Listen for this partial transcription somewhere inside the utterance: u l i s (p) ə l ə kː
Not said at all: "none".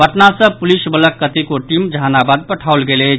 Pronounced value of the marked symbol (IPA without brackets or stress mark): b